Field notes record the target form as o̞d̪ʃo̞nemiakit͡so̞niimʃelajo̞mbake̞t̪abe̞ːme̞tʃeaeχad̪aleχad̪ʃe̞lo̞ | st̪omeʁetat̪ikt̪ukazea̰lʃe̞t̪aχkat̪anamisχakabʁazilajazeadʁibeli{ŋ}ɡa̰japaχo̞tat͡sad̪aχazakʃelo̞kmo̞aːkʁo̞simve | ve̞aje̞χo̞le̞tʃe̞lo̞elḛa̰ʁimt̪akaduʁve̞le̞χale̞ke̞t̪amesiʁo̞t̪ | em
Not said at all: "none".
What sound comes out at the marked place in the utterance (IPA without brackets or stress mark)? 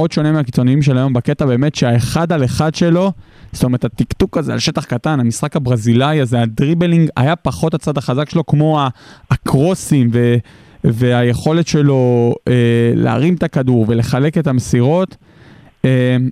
ŋ